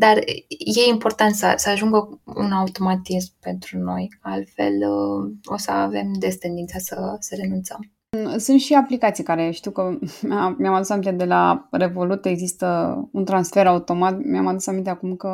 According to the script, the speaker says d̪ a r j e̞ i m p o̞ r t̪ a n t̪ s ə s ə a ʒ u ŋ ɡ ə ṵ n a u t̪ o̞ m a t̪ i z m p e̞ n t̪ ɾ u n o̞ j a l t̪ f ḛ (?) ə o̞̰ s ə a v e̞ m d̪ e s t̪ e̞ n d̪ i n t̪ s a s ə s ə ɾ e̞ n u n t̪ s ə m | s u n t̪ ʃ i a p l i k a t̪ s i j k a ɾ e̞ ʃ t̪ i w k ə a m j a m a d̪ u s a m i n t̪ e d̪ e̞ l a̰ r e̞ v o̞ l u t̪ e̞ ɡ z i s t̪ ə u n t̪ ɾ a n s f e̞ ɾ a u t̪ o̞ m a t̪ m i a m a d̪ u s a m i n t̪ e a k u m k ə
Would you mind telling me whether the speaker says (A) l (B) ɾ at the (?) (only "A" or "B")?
A